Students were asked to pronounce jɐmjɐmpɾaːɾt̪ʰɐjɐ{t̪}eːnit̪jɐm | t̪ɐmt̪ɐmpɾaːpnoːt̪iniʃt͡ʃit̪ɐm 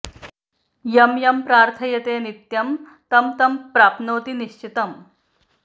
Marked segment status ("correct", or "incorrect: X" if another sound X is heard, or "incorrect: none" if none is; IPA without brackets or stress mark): correct